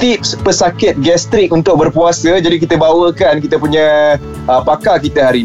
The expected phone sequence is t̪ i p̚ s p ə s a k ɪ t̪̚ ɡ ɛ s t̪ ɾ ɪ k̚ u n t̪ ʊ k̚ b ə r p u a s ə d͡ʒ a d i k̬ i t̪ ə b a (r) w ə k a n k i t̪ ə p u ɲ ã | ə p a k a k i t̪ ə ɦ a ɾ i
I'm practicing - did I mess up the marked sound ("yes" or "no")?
yes